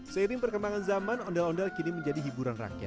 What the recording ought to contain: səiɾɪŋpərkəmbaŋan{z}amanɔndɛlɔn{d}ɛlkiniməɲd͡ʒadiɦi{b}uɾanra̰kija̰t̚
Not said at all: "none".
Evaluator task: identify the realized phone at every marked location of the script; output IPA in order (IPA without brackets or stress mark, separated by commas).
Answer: z, d, b